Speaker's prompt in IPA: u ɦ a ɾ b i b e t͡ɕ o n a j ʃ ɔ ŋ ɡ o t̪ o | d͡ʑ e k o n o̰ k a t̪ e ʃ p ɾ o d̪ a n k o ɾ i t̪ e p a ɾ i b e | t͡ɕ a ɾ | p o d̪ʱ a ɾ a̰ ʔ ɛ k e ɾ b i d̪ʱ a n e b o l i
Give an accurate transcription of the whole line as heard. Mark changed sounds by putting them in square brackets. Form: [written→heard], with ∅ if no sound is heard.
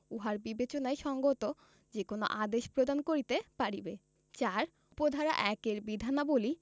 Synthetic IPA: u ɦ a ɾ b i b e t͡ɕ o n a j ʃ ɔ ŋ ɡ o t̪ o | d͡ʑ e k o n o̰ [k→ʔ] a [t̪→d̪] e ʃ p ɾ o d̪ a n k o ɾ i t̪ e p a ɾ i b e | t͡ɕ a ɾ | p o d̪ʱ a ɾ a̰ ʔ ɛ k e ɾ b i d̪ʱ a n [e→a] b o l i

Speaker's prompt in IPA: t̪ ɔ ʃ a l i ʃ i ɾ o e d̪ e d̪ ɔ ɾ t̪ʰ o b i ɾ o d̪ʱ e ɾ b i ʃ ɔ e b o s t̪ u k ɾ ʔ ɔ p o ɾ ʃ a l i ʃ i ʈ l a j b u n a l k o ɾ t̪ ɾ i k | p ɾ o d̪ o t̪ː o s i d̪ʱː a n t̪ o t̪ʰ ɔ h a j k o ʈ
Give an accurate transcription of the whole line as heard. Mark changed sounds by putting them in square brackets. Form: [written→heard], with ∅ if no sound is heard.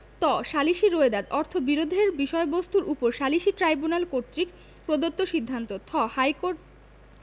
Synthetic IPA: t̪ ɔ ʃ a l i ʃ i ɾ o e d̪ [e→a] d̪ ɔ ɾ t̪ʰ o b i ɾ o d̪ʱ e ɾ b i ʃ ɔ e b o s t̪ u [k→∅] ɾ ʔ [ɔ→u] p o ɾ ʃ a l i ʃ i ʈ [l→ɾ] a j b u n a l k o ɾ t̪ ɾ i k | p ɾ o d̪ o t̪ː o [s→ʃ] i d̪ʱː a n t̪ o t̪ʰ ɔ h a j k o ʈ

